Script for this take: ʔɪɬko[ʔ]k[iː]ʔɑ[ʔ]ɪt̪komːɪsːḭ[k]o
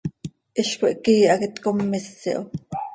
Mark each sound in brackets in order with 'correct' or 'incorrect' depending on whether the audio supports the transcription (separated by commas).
correct, correct, incorrect, incorrect